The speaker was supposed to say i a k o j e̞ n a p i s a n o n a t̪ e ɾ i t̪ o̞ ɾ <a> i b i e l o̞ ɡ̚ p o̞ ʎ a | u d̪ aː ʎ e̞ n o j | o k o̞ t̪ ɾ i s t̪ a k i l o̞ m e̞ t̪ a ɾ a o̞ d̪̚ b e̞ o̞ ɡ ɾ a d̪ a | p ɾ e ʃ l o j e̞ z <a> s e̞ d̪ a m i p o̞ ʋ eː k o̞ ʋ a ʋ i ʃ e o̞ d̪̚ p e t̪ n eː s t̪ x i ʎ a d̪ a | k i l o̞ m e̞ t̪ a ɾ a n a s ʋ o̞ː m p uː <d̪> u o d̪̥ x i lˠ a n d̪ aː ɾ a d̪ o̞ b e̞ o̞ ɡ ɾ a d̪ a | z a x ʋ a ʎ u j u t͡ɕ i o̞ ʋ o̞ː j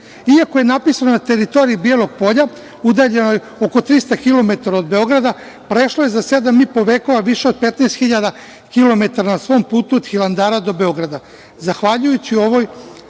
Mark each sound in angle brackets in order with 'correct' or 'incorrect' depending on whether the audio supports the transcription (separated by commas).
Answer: incorrect, correct, incorrect